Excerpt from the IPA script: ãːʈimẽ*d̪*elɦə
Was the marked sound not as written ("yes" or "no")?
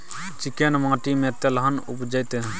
yes